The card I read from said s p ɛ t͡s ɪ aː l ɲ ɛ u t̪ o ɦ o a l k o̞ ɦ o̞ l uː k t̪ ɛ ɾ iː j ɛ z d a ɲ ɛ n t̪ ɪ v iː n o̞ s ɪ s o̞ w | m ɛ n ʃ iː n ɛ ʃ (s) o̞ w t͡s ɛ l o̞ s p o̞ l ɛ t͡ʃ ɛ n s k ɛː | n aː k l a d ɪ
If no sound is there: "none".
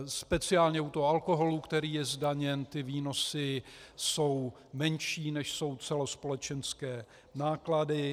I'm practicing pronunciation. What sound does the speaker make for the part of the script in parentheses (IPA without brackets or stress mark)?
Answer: s